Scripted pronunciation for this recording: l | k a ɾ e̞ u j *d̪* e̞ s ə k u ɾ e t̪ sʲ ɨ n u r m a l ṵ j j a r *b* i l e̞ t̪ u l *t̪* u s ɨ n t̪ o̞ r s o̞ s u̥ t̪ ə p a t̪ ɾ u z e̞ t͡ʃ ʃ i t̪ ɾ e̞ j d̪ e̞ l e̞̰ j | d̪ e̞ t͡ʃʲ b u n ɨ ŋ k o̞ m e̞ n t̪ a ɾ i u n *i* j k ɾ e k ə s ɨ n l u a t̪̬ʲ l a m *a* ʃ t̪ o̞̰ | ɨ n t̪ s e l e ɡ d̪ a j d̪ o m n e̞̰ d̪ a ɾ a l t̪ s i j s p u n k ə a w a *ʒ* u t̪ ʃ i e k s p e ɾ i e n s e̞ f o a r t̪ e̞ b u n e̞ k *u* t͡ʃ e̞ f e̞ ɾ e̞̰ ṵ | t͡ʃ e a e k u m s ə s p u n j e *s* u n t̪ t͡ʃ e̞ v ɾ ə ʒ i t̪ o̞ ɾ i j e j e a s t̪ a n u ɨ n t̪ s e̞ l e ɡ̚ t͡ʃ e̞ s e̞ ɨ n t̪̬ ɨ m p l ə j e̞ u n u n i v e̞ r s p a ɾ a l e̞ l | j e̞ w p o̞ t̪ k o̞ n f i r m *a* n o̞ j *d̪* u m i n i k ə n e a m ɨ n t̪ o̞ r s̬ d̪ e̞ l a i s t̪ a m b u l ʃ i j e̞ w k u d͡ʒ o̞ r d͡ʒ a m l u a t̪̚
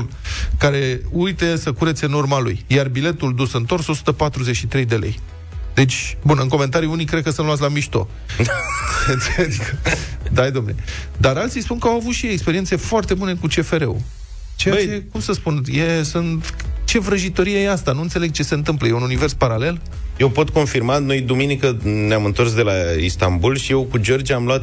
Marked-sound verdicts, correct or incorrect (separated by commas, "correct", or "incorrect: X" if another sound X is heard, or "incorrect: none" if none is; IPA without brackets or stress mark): incorrect: t̪, correct, incorrect: d̪, correct, incorrect: i, incorrect: v, correct, correct, correct, correct